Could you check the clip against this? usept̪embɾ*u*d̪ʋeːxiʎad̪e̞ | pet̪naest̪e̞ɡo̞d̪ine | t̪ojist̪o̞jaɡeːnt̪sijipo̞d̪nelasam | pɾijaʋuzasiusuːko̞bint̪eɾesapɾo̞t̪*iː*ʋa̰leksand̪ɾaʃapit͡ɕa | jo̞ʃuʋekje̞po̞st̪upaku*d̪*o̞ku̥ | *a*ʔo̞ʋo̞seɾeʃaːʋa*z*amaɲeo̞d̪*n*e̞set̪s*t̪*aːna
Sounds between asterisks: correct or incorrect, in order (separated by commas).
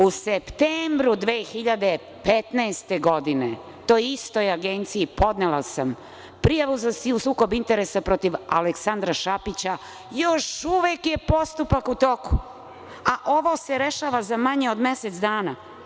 correct, incorrect, incorrect, correct, correct, incorrect, incorrect